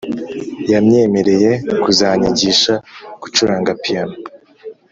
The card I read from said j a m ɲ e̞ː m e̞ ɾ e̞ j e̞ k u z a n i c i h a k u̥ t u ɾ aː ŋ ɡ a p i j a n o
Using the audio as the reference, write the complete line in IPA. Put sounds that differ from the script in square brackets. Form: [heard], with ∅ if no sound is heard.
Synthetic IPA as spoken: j a m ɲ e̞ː m e̞ ɾ e̞ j e̞ k u z a [ɲ] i [ɟ] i [ʃ] a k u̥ [t͡ʃ] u ɾ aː ŋ ɡ a p i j a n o